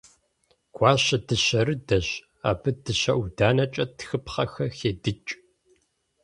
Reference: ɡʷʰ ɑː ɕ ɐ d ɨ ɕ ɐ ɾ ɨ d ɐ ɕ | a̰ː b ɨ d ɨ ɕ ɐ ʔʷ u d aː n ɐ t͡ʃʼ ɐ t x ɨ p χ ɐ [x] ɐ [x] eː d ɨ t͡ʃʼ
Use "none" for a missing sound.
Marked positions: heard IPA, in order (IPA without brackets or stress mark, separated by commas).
x, x